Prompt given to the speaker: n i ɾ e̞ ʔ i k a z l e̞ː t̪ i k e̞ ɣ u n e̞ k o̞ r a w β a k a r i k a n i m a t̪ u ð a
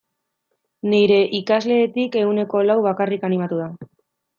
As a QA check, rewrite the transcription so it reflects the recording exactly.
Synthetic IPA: n i ɾ e̞ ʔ i k a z l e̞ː t̪ i k e̞ ɣ u n e̞ k o̞ l a w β a k a r i k a n i m a t̪ u ð a